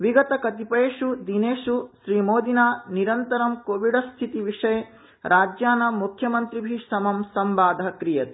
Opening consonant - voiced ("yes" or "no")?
yes